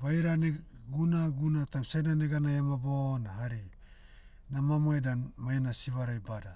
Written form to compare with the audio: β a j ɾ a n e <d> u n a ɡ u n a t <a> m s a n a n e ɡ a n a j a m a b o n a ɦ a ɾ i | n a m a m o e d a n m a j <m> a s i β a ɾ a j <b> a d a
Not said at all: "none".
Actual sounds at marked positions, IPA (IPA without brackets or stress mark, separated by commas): ɡ, a, n, b